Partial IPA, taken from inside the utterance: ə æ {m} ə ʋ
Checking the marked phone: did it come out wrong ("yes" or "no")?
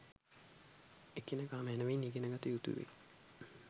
yes